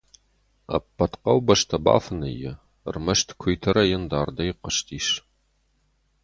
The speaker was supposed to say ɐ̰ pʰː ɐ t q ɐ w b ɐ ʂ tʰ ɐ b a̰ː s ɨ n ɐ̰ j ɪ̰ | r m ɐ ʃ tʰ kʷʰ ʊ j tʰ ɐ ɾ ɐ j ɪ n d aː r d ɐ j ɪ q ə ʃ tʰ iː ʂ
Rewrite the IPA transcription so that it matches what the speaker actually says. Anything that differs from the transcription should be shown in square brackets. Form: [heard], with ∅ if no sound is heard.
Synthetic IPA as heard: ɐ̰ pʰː ɐ t q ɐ w b ɐ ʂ tʰ ɐ b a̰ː [f] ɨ n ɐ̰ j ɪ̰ | r m ɐ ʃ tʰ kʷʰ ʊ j tʰ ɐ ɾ ɐ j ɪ n d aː r d ɐ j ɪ q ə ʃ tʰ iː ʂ